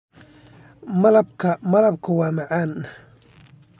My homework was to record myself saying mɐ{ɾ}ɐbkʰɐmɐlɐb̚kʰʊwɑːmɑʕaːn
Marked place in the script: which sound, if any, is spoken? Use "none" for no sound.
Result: l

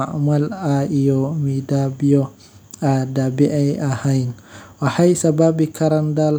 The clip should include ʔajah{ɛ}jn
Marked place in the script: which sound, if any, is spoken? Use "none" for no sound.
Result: a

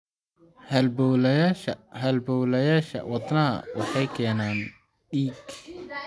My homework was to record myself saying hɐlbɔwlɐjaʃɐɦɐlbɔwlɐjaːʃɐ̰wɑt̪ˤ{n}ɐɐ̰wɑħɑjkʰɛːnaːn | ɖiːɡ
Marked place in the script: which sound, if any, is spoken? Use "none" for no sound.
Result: n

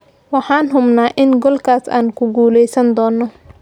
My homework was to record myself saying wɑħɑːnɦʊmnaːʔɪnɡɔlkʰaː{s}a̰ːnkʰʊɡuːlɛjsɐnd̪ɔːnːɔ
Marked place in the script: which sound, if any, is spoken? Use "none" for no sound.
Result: s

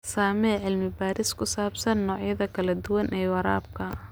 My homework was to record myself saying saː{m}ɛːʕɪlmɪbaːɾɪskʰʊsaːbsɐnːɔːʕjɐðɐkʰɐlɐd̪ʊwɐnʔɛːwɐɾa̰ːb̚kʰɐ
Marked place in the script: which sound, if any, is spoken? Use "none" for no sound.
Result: m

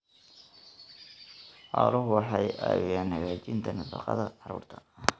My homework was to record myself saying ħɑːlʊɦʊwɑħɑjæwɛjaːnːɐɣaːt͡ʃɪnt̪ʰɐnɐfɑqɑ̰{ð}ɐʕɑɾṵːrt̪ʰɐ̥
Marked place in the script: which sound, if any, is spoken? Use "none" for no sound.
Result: ð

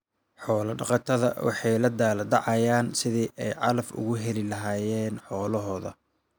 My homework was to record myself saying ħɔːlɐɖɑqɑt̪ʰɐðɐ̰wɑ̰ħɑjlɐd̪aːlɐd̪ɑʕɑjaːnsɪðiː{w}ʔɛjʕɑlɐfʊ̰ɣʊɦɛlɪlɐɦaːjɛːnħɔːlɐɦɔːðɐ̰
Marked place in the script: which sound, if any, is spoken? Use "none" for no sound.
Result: none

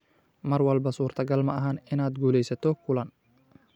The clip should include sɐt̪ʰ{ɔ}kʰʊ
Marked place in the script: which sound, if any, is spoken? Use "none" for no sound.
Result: ɔ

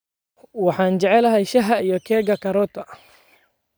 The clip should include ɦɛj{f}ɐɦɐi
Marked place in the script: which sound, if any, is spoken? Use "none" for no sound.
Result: ʃ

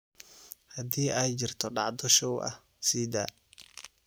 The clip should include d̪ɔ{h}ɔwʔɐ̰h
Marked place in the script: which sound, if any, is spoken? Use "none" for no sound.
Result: ʃ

